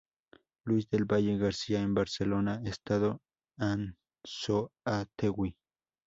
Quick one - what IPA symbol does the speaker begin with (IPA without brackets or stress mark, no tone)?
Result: l